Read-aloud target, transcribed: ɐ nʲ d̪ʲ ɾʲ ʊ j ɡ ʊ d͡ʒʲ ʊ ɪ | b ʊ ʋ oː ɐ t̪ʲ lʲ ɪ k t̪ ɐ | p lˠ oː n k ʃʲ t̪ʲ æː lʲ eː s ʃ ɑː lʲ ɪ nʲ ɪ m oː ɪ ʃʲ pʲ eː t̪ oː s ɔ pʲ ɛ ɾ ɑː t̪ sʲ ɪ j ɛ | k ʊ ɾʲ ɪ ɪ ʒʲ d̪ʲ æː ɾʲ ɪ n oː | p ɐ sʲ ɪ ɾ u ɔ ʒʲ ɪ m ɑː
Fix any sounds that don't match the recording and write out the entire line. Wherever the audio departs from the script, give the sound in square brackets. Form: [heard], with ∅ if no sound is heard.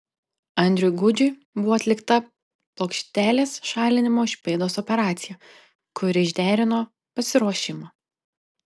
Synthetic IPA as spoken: ɐ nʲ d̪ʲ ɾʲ ʊ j ɡ ʊ d͡ʒʲ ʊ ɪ | b ʊ ʋ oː ɐ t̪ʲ lʲ ɪ k t̪ ɐ | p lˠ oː [∅] k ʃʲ t̪ʲ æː lʲ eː s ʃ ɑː lʲ ɪ nʲ ɪ m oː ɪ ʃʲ pʲ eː [d̪] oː s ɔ pʲ ɛ ɾ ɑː t̪ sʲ ɪ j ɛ | k ʊ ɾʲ ɪ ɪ ʒʲ d̪ʲ æː ɾʲ ɪ n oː | p ɐ sʲ ɪ ɾ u ɔ [ʃʲ] ɪ m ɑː